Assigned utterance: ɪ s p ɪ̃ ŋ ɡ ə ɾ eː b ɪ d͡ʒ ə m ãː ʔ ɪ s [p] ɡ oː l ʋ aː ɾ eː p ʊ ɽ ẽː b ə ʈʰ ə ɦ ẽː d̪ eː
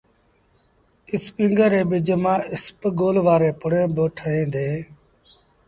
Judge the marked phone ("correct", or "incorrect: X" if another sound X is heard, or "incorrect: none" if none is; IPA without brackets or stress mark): correct